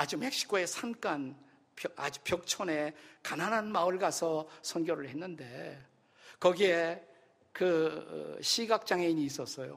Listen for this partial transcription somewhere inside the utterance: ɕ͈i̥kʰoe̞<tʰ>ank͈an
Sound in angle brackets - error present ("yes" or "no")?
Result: yes